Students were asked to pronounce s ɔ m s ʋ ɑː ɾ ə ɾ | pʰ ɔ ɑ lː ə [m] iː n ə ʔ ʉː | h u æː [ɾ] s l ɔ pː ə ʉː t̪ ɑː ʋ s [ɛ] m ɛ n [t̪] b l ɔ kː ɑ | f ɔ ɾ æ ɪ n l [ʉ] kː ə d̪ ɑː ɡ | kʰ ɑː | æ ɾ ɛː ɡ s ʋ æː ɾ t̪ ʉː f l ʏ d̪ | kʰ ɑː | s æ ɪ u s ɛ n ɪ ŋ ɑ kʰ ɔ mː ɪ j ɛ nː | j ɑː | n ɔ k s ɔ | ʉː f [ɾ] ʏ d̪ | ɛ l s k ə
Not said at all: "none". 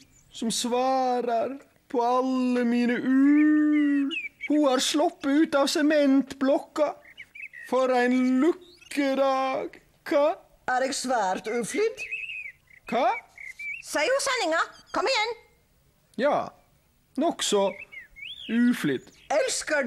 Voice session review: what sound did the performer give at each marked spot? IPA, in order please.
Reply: m, ɾ, ɛ, t̪, ʉ, l

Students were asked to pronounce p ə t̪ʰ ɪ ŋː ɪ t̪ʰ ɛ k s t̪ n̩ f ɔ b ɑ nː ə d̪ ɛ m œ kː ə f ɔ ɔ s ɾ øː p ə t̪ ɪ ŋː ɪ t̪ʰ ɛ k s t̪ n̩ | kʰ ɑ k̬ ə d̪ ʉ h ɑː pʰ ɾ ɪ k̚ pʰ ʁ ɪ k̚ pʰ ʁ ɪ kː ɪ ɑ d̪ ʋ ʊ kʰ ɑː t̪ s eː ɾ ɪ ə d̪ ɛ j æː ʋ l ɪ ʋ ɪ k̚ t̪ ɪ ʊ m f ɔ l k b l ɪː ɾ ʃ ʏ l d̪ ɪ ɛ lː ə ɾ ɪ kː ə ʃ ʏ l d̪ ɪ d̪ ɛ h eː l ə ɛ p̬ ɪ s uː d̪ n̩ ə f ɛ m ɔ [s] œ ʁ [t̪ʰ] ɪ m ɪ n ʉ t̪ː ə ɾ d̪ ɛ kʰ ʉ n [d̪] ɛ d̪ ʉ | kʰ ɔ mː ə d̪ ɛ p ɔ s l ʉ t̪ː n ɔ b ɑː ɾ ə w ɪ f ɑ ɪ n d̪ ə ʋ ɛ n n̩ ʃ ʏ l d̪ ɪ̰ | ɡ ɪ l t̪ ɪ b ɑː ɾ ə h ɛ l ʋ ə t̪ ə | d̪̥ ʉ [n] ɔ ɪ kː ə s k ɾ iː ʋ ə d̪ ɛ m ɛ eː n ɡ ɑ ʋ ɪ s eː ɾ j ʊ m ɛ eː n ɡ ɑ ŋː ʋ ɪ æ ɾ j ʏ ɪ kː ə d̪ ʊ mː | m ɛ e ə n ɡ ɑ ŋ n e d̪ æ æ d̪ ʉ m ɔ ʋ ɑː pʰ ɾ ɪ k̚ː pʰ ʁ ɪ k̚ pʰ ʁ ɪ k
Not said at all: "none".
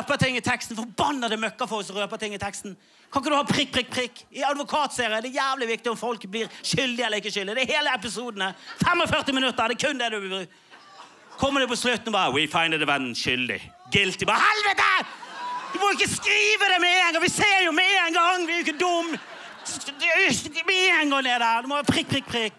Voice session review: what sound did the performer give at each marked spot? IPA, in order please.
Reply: f, t̪, d̪, m

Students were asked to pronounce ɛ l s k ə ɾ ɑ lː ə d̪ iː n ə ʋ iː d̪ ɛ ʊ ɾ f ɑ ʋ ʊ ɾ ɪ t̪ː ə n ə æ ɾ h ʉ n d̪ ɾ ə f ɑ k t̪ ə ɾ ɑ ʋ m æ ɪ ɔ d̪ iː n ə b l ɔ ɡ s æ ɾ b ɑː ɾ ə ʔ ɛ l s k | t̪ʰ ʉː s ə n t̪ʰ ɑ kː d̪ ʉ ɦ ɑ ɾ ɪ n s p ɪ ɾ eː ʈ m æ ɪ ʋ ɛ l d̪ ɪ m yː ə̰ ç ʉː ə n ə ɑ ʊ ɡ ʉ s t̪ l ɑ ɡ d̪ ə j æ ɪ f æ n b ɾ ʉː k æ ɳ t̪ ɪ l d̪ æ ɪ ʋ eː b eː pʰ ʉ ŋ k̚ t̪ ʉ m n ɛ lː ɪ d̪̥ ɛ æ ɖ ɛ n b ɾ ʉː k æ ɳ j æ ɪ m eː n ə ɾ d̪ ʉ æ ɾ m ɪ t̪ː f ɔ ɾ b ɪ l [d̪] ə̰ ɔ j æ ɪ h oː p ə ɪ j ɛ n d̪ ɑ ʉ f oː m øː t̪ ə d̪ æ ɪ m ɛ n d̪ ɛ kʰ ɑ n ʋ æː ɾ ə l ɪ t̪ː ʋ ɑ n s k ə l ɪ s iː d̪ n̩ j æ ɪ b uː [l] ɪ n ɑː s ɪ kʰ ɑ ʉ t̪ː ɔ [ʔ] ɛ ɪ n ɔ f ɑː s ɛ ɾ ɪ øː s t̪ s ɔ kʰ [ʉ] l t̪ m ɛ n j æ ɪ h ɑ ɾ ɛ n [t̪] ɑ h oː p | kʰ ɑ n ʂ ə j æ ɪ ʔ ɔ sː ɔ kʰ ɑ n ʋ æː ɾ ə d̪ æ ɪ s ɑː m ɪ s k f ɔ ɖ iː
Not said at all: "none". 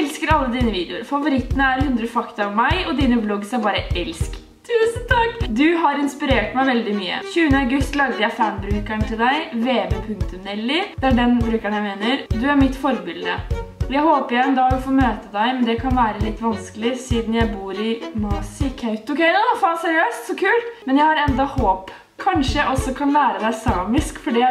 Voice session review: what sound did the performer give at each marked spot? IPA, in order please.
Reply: d̪, ɾ, k, ʉː, d̪

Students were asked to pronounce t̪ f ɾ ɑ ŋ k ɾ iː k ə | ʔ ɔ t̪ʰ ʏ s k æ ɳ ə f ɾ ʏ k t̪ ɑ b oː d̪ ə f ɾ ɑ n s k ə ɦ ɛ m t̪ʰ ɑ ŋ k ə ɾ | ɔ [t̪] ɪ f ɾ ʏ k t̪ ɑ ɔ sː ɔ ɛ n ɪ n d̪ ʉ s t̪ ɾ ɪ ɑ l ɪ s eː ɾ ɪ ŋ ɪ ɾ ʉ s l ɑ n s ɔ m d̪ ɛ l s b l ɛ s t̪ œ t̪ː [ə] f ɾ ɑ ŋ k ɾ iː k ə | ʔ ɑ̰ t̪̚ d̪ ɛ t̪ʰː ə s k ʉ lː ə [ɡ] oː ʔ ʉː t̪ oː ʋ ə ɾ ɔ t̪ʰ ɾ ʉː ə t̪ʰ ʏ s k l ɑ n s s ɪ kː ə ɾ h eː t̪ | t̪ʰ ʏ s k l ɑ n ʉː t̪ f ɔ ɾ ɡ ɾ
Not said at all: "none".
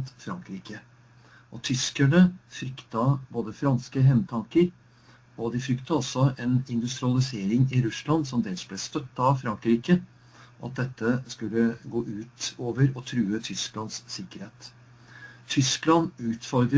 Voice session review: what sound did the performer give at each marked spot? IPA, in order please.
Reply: d̪, ɑ, ɡ

